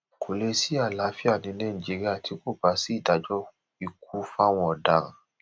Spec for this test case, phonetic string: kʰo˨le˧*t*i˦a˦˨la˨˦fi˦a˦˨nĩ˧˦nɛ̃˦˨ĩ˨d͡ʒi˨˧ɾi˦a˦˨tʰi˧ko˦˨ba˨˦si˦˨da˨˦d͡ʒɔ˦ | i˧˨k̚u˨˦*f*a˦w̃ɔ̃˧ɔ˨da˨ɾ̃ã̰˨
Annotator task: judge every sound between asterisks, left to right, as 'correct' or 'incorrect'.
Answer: incorrect: s, correct

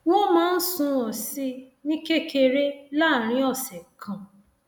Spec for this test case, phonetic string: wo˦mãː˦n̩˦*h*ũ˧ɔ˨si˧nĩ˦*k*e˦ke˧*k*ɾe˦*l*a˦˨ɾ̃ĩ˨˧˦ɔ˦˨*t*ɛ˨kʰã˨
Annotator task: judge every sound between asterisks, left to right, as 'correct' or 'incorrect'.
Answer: incorrect: s, correct, incorrect: none, correct, incorrect: s

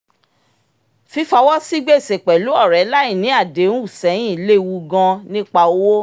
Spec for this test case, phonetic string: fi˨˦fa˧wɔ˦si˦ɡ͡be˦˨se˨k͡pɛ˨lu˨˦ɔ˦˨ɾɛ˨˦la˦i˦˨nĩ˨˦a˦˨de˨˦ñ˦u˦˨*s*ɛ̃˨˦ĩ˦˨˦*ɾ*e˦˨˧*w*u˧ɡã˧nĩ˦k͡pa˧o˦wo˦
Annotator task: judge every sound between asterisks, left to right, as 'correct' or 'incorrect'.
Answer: correct, incorrect: l, correct

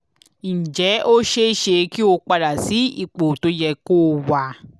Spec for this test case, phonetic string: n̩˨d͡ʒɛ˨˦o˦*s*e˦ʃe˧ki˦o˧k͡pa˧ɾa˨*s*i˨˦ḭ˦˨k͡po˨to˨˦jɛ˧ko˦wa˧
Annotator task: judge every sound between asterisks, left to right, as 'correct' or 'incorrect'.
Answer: incorrect: ʃ, correct

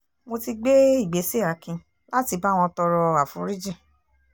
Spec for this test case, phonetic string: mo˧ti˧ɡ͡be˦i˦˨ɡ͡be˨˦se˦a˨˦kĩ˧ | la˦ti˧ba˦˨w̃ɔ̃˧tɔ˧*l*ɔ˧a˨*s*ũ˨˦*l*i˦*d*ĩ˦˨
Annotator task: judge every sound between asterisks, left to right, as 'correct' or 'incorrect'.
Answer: incorrect: ɾ, incorrect: f, incorrect: ɾ, incorrect: d͡ʒ

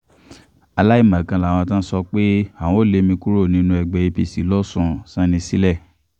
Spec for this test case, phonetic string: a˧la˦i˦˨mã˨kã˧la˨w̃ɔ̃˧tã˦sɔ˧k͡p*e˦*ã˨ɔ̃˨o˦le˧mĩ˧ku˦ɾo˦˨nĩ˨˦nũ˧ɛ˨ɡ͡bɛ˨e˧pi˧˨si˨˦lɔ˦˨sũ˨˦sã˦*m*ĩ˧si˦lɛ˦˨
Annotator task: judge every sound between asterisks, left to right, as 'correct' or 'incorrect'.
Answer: correct, incorrect: n

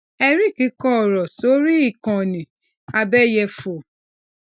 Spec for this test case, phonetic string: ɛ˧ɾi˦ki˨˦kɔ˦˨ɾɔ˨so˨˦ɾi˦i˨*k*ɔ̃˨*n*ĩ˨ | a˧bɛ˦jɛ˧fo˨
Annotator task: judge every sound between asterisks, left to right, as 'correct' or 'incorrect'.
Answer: correct, correct

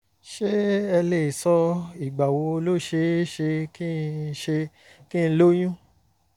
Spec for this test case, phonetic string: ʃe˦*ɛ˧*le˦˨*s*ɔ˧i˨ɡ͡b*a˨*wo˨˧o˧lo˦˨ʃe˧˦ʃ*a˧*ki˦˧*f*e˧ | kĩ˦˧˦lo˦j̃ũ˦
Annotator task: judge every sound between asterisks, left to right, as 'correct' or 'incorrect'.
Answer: correct, correct, correct, incorrect: e˧, incorrect: ʃ

